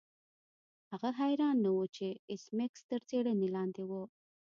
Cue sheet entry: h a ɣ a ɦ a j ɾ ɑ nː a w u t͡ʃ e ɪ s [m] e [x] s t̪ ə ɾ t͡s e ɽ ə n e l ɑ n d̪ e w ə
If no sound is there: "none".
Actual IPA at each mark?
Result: m, k

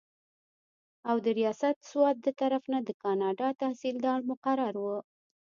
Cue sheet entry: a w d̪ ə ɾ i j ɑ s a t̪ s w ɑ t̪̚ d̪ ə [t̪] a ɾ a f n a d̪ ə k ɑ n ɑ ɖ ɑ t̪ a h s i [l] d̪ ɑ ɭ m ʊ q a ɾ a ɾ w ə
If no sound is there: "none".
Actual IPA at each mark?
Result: t̪, l

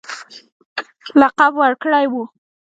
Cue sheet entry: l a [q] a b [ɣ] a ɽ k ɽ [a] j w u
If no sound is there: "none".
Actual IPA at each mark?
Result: q, w, a

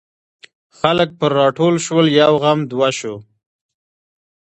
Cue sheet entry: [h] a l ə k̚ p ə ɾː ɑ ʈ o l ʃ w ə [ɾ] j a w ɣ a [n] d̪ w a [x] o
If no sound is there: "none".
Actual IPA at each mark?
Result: x, l, m, ʃ

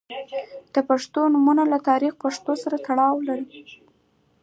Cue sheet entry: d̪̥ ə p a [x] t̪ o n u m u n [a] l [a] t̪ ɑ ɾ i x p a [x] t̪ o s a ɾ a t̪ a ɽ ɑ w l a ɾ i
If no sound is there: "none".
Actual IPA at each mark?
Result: ʂ, a, a, ʂ

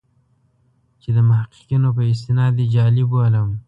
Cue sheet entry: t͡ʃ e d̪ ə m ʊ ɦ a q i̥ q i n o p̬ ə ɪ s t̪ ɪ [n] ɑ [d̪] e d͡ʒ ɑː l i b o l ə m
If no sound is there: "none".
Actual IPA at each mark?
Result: n, d̪

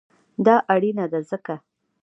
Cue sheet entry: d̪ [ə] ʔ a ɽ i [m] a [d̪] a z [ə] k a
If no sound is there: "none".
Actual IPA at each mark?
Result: ɑ, n, d̪, ə

